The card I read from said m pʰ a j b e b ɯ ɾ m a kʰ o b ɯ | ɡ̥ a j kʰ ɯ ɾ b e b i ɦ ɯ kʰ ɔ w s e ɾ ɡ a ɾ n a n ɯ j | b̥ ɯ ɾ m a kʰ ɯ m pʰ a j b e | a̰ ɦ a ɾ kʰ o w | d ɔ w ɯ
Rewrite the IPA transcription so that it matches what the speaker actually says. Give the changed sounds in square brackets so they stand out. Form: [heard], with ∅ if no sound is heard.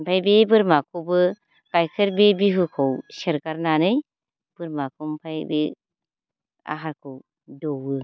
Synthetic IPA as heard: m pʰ a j b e b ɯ ɾ m a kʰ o b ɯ | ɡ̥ a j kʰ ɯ ɾ b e b i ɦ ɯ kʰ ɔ w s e ɾ ɡ a ɾ n a n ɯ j | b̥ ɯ ɾ m a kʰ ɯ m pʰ a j b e | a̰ ɦ a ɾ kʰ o w | d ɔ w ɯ